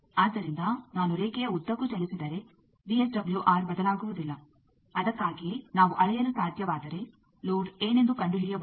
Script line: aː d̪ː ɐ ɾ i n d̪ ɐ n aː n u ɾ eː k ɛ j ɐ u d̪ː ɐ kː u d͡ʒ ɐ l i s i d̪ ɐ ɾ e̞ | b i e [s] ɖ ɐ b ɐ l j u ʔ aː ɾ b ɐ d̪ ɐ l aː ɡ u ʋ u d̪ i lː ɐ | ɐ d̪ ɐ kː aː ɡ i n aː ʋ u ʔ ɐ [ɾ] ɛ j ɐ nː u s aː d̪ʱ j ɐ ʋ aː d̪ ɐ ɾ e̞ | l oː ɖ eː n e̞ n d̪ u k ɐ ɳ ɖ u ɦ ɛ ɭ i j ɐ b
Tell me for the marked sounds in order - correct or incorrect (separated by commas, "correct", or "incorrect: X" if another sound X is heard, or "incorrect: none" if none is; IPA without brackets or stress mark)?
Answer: correct, incorrect: ɭ